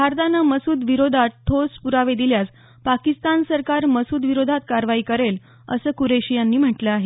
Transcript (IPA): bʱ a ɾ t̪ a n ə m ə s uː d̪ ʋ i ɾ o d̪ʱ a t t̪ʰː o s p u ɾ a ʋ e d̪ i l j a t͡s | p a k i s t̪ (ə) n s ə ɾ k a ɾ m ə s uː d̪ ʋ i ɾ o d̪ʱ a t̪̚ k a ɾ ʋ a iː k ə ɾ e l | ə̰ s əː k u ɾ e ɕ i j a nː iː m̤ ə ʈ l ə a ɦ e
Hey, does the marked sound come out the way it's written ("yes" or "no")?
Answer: no